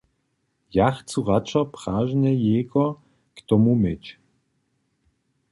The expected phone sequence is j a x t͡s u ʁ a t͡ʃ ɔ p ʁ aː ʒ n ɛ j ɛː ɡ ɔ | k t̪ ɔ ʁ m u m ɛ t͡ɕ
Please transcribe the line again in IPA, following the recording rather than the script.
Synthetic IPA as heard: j a x t͡s u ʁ a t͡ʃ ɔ p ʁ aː ʒ n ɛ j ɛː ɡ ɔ | k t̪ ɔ m u m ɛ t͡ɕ